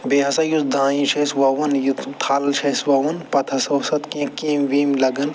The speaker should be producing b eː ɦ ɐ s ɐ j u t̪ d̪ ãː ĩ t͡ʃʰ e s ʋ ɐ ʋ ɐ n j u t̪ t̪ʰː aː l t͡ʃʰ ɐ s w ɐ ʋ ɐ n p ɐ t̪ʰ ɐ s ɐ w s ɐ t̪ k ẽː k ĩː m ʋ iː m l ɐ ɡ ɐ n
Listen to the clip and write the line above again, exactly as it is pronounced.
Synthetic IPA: b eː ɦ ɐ s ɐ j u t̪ d̪ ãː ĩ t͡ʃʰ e s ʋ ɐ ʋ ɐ n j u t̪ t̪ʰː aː l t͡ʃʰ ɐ s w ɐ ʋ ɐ n p ɐ t̪ʰ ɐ s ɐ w s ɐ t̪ k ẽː k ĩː m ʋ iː m l ɐ ɡ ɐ n